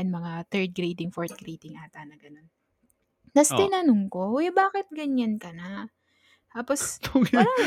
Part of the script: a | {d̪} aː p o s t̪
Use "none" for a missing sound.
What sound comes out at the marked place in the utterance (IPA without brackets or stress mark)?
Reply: t̪